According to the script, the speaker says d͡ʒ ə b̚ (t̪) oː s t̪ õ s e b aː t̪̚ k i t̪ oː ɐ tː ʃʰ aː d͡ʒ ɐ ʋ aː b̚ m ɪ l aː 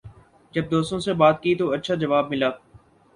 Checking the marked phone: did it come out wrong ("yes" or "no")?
yes